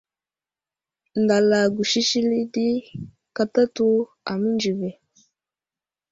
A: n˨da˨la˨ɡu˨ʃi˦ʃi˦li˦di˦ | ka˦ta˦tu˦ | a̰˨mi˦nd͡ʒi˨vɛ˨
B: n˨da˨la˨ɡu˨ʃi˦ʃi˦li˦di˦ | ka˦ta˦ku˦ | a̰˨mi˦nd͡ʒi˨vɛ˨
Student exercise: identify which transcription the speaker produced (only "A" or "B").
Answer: A